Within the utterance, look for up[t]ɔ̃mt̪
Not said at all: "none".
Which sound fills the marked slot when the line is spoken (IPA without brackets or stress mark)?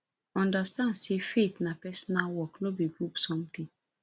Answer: s